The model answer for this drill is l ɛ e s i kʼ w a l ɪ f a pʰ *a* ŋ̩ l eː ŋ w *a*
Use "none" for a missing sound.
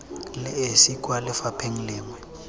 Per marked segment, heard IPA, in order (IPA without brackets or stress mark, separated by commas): e, ɛ